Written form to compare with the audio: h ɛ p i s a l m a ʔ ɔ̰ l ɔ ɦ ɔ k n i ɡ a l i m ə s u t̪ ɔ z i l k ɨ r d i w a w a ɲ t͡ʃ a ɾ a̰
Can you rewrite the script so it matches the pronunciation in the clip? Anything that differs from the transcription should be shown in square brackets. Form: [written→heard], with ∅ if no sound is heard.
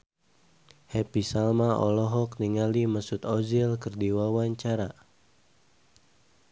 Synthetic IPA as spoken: h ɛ p i s a l m a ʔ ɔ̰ l ɔ ɦ ɔ k n i [ɡ→ŋ] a l i m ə s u t̪ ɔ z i l k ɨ r d i w a w a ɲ t͡ʃ a ɾ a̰